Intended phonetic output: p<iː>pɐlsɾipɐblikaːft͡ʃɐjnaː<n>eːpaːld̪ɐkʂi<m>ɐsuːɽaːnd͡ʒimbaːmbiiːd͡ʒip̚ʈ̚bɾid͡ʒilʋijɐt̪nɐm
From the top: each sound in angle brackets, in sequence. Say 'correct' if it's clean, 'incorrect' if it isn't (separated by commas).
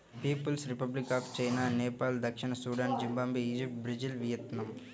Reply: correct, correct, incorrect